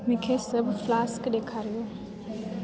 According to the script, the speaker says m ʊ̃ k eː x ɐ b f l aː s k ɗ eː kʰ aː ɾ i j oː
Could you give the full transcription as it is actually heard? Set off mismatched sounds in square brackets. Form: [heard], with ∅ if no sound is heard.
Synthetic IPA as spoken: m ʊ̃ [kʰ] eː [s] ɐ b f l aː s k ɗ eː kʰ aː ɾ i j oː